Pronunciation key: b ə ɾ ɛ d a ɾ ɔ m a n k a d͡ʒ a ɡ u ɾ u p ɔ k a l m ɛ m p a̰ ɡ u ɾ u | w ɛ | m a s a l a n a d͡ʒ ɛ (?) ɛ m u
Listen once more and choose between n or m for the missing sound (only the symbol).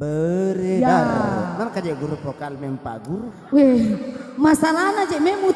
m